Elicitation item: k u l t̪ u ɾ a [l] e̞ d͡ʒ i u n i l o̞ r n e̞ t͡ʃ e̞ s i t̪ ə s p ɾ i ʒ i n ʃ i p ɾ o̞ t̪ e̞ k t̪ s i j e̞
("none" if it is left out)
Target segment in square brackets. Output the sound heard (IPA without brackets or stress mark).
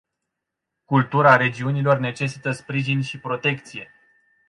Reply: ɾ